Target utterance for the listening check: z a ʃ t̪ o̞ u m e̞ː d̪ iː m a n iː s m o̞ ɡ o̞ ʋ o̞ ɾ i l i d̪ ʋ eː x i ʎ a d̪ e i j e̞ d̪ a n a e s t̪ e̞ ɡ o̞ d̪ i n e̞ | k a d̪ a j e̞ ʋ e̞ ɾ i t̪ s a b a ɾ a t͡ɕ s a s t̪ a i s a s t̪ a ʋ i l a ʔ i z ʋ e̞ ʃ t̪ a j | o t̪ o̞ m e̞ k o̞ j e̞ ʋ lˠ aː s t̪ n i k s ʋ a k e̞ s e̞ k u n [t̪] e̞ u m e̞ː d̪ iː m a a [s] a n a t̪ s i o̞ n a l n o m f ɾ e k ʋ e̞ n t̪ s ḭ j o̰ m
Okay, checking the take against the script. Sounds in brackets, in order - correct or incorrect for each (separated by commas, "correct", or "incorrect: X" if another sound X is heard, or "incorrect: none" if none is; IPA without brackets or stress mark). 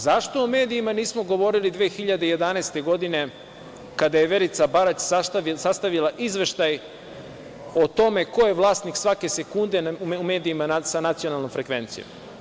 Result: incorrect: d̪, correct